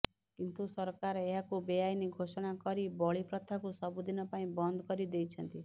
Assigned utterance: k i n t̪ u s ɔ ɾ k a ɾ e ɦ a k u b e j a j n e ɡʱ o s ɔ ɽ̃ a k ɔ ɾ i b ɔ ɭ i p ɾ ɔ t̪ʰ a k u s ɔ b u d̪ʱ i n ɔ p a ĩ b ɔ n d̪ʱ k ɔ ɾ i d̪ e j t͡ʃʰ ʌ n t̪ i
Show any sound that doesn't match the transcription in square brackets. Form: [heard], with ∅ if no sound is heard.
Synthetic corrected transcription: k i n t̪ u s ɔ ɾ k a ɾ e ɦ a k u b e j a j n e ɡʱ o s ɔ ɽ̃ a k ɔ ɾ i b ɔ ɭ i p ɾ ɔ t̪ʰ a k u s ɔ b u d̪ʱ i n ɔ p a ĩ b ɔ n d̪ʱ k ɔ ɾ i d̪ e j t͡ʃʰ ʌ n t̪ i